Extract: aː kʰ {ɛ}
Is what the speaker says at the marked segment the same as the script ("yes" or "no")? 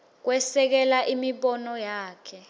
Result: yes